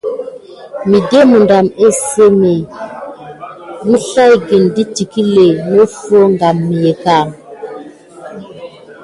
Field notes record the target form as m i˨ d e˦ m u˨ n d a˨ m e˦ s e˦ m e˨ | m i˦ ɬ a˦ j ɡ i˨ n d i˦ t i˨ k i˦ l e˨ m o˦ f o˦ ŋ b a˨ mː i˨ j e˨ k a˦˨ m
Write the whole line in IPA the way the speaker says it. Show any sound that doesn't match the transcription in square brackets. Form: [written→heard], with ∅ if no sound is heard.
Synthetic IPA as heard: m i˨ d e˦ m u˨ n d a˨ m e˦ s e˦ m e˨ | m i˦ ɬ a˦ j ɡ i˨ n d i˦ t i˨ k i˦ l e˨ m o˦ f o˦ ŋ [b→ɡ] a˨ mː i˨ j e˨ k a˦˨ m